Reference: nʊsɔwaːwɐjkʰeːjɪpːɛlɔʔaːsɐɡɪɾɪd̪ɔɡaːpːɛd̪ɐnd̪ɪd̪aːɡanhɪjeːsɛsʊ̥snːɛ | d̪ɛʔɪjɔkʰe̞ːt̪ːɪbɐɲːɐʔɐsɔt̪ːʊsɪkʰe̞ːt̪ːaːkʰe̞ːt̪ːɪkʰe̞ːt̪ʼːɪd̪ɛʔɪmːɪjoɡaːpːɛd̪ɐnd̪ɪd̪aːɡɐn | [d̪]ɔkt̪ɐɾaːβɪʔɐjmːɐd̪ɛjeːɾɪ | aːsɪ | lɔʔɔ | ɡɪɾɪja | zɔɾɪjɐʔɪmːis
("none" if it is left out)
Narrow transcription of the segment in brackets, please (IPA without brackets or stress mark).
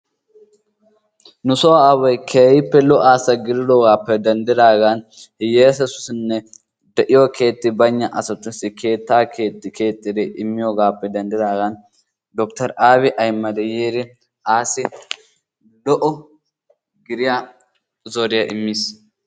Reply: d̪